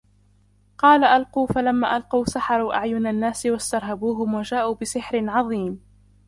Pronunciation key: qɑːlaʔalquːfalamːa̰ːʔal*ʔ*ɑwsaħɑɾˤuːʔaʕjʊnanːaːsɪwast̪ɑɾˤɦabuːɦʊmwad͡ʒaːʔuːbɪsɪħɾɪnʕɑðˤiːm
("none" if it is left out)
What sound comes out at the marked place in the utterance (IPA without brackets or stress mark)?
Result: q